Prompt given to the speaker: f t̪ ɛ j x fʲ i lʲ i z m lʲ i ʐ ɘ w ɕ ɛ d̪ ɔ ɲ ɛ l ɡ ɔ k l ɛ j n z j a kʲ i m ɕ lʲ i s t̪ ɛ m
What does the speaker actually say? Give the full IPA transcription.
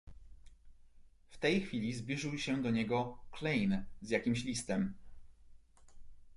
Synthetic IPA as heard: f t̪ ɛ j x fʲ i lʲ i z b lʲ i ʐ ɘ w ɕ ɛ d̪ ɔ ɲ ɛ ɡ ɔ k l ɛ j n z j a kʲ i m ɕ lʲ i s t̪ ɛ m